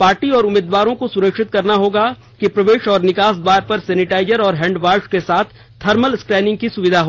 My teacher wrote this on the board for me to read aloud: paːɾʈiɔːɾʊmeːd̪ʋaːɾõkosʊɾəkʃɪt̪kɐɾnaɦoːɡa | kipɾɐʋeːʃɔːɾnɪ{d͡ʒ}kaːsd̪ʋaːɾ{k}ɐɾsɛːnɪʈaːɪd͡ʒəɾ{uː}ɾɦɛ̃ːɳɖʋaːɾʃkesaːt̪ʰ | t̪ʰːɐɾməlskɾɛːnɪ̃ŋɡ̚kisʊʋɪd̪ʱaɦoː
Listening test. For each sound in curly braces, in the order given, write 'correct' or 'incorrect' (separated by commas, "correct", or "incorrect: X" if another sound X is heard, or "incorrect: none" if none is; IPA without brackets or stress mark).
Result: incorrect: none, incorrect: p, incorrect: ɔː